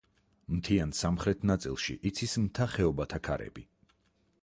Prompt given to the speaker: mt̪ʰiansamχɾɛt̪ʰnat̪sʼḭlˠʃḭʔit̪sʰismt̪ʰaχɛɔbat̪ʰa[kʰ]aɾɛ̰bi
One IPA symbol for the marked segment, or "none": kʰ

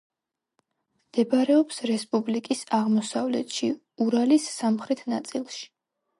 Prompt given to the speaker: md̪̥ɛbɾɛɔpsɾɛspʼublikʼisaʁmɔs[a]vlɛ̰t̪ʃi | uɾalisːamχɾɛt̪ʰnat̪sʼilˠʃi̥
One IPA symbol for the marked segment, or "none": a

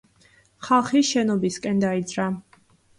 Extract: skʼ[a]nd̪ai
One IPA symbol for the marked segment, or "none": ɛ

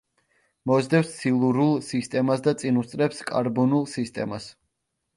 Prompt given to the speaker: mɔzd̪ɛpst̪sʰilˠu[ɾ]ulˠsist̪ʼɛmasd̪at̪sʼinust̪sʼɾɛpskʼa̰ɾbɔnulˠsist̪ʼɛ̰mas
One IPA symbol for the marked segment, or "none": ɾ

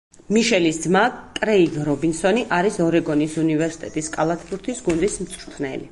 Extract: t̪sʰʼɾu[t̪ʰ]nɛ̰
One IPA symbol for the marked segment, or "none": t̪ʰ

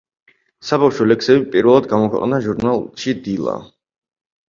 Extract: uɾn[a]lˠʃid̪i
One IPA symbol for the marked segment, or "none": a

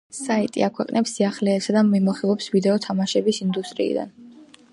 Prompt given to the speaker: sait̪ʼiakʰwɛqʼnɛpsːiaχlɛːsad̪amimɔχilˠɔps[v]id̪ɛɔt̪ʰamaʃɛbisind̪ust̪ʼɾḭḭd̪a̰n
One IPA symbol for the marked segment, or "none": v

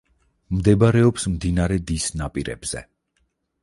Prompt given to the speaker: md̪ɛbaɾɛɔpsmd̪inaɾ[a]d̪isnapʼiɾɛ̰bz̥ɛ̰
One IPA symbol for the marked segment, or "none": ɛ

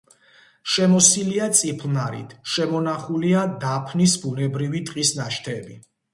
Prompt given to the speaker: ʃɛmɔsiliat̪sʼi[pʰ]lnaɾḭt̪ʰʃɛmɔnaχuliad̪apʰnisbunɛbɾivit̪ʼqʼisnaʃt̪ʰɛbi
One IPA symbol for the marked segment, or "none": pʰ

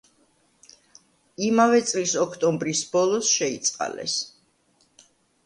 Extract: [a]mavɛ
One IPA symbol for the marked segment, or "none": i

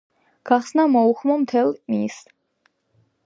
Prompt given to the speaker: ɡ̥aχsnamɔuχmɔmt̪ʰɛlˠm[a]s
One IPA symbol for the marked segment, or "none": i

